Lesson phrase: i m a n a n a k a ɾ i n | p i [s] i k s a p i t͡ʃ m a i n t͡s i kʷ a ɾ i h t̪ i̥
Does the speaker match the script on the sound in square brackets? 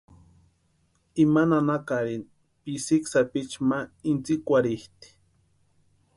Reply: yes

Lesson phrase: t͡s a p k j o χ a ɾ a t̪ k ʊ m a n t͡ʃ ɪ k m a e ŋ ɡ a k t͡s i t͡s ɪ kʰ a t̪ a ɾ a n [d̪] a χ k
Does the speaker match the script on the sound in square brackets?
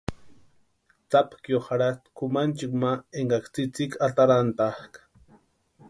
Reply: no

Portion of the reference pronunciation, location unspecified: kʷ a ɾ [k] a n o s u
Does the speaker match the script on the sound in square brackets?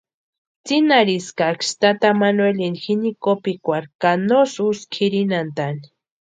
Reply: yes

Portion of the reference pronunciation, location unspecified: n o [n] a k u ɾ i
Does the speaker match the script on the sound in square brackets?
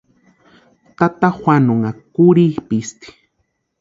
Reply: no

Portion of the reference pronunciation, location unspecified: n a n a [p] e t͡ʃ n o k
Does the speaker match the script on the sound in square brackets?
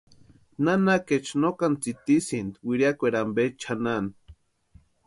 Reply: no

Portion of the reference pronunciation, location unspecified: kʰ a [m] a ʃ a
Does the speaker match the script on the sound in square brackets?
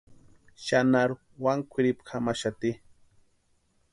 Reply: yes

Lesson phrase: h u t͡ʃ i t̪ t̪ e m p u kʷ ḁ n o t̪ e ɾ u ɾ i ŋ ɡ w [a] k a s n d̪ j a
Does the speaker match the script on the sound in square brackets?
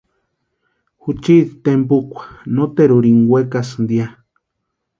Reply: no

